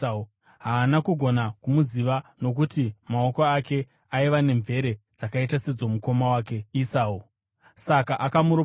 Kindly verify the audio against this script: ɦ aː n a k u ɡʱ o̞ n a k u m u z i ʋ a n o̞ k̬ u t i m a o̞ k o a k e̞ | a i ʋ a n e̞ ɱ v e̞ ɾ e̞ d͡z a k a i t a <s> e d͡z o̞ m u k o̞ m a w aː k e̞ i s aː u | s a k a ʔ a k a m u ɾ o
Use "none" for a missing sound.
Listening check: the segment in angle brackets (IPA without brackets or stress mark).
s